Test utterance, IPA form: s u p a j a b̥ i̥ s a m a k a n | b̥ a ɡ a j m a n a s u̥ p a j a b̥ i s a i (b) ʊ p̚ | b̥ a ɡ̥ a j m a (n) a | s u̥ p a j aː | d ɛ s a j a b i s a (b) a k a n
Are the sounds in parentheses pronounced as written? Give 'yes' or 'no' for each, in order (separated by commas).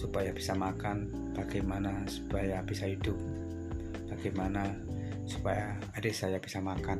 no, yes, no